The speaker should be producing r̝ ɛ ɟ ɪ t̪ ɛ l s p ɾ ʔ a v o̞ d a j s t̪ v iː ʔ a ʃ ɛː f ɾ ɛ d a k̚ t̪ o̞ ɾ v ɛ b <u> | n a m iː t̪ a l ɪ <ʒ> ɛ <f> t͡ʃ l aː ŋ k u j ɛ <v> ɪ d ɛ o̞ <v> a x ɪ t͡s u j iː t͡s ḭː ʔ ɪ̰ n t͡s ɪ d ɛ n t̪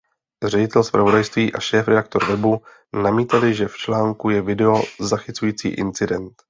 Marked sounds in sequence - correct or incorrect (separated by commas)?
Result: correct, correct, correct, correct, incorrect